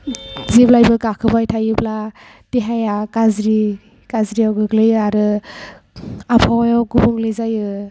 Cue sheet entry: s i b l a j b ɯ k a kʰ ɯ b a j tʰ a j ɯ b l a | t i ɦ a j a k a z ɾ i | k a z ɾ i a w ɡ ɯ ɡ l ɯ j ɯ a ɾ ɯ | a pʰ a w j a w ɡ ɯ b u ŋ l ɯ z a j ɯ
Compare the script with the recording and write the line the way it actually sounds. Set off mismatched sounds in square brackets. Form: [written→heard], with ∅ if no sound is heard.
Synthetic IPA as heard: [s→z] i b l a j b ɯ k a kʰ ɯ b a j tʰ a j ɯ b l a | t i ɦ a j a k a z ɾ i | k a z ɾ i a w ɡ ɯ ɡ l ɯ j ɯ a ɾ ɯ | a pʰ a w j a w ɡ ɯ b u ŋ l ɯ z a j ɯ